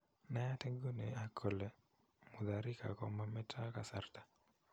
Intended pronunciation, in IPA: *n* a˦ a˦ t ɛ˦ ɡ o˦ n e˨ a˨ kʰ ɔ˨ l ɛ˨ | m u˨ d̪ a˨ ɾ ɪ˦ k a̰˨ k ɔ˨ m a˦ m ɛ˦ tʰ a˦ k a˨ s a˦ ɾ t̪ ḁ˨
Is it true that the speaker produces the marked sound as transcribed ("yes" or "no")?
yes